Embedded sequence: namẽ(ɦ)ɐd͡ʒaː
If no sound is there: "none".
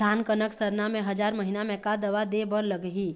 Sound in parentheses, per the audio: ɦ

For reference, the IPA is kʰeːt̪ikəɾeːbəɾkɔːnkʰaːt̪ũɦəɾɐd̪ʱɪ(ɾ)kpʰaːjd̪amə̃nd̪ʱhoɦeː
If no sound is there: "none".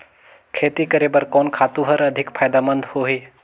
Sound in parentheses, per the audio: none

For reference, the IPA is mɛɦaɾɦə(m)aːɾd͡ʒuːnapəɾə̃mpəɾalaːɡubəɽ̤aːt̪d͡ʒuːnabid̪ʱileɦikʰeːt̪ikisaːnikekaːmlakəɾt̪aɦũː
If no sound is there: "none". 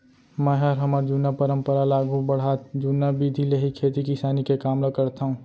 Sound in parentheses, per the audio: m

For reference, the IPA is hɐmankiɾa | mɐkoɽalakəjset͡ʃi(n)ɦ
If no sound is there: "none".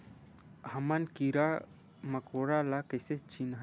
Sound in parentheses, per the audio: n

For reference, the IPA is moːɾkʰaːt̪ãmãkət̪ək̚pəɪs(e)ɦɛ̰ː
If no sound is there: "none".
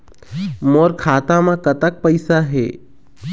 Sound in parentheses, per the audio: a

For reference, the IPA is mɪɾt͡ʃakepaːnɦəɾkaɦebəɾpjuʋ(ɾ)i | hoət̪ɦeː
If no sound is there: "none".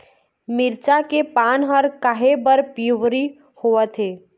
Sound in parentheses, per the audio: ɾ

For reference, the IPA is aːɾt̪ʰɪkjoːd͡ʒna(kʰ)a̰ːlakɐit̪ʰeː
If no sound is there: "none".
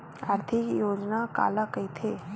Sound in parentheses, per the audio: k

